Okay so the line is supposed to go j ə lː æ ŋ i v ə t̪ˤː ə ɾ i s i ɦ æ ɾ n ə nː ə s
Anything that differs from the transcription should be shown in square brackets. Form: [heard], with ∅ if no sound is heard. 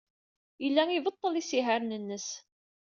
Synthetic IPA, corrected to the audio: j ə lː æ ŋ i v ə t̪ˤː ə [l] i s i ɦ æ ɾ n ə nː ə s